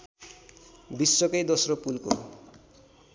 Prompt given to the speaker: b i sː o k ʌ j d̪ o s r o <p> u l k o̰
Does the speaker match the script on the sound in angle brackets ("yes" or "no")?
yes